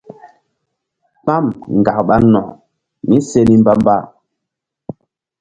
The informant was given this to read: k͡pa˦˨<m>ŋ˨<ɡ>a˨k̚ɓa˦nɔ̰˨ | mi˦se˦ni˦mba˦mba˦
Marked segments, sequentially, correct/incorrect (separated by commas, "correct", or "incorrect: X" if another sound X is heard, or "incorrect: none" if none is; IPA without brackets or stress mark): correct, correct